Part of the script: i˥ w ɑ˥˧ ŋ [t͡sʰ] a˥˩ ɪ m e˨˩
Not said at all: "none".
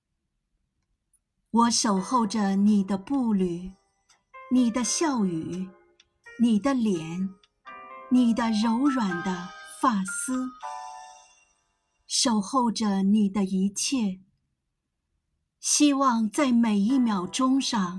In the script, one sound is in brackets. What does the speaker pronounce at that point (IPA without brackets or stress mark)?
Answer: t͡s